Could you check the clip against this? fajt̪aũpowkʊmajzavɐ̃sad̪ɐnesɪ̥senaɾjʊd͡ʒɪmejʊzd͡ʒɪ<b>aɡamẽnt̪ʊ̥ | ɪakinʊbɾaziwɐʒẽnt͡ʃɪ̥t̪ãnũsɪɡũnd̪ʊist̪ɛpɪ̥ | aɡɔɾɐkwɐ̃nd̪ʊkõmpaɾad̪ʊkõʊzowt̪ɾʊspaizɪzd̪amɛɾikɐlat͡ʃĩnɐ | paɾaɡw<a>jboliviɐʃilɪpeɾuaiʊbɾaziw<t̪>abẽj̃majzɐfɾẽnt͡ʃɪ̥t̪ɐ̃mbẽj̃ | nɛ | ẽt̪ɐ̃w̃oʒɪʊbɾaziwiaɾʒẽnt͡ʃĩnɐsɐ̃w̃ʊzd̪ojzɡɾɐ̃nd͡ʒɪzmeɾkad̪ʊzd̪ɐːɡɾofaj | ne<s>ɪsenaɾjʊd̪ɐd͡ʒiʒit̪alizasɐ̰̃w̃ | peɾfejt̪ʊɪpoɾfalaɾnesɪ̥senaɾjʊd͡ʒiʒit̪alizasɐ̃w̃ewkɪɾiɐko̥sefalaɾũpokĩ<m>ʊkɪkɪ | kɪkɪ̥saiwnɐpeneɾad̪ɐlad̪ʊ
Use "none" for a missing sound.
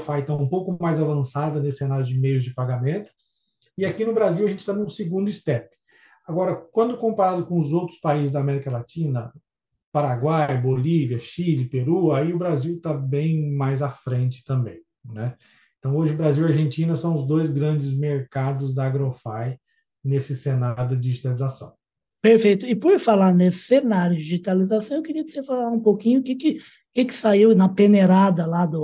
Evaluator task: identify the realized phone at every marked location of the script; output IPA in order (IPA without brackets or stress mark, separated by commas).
p, a, t̪, s, ɲ